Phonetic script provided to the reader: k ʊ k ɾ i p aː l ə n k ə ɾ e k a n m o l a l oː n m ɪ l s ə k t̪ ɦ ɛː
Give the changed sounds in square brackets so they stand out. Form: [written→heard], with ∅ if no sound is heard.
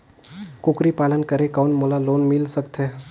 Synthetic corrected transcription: k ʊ k ɾ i p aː l ə n k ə ɾ e k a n m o l a l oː n m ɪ l s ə k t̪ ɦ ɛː